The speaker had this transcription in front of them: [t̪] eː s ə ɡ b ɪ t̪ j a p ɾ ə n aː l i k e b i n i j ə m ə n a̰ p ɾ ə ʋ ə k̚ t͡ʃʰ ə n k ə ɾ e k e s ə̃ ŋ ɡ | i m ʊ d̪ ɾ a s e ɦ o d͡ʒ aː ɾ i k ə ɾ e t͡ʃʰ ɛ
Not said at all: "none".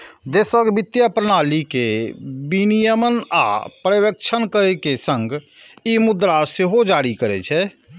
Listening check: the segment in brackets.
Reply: d̪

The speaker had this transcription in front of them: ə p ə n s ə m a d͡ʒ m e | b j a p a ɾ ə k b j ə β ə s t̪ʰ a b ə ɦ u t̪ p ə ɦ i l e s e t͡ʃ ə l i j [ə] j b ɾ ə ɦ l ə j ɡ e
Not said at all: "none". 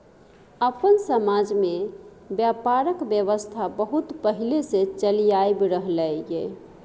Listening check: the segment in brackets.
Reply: a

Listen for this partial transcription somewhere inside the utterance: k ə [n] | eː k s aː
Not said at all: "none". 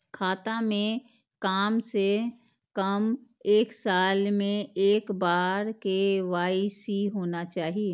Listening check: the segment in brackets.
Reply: m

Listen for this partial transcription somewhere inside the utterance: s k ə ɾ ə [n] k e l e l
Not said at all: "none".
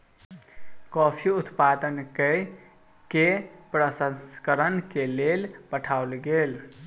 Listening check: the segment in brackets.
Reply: n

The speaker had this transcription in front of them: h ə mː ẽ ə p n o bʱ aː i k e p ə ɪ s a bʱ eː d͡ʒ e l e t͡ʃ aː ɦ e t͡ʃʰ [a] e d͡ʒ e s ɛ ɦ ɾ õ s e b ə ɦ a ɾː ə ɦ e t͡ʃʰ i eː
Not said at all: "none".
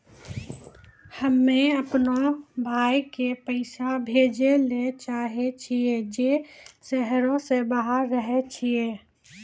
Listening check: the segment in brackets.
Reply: i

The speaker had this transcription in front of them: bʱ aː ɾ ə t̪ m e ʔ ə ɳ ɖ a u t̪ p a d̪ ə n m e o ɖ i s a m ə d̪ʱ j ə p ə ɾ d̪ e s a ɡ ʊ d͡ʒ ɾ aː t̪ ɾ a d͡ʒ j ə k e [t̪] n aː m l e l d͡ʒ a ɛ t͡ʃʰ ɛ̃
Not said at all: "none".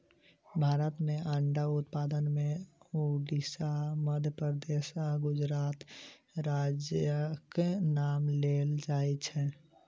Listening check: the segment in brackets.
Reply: none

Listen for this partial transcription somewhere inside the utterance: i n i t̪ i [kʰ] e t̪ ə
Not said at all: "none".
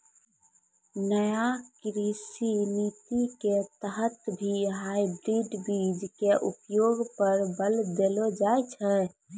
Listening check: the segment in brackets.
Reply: k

